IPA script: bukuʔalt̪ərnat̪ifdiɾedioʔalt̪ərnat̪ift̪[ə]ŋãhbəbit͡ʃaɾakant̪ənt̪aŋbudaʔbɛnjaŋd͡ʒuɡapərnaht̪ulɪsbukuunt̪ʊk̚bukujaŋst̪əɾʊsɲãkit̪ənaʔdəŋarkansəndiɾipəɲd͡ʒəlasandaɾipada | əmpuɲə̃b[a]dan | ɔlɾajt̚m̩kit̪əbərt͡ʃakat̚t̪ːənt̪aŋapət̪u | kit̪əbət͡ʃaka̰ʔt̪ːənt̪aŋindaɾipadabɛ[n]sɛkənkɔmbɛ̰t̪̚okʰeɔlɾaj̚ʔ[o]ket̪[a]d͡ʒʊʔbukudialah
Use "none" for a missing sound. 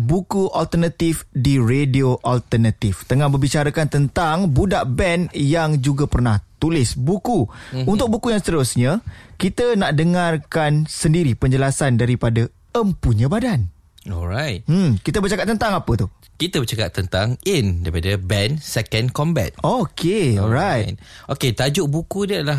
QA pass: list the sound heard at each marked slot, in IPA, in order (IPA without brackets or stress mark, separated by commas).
ə, a, n, o, a